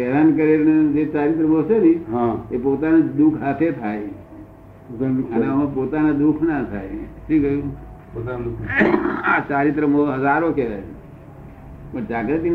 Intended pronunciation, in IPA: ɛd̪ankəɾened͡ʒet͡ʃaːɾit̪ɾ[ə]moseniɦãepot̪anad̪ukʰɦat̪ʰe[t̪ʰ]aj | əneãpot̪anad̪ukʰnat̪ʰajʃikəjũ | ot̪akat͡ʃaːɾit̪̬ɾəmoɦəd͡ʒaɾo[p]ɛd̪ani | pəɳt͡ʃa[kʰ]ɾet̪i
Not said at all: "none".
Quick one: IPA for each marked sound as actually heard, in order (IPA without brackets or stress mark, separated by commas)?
ə, t̪ʰ, k, k